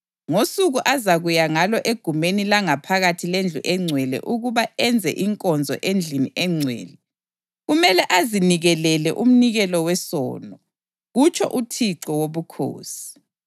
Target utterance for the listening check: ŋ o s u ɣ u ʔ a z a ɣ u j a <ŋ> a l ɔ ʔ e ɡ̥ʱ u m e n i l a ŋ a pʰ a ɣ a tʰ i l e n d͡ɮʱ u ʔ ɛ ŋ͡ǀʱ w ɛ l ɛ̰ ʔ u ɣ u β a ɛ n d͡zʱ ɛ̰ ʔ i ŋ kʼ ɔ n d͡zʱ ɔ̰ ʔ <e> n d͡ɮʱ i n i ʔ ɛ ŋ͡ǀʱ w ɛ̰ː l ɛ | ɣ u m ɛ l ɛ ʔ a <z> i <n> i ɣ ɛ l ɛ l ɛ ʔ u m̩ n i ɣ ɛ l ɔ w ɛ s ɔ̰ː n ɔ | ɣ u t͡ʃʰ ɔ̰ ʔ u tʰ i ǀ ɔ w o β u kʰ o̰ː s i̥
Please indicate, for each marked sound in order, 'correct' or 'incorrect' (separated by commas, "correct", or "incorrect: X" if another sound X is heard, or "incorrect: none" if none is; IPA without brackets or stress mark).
correct, correct, correct, correct